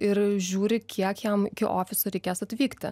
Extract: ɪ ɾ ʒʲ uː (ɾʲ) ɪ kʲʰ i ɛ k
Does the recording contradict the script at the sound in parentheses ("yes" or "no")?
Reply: no